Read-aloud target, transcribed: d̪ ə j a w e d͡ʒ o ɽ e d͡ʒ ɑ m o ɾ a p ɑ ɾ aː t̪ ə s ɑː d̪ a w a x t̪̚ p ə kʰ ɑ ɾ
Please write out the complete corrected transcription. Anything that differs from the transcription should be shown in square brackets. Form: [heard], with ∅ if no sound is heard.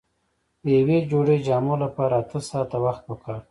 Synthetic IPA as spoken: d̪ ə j a w e d͡ʒ o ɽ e d͡ʒ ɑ m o [l] a p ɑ ɾ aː t̪ ə s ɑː [t̪] a w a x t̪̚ p ə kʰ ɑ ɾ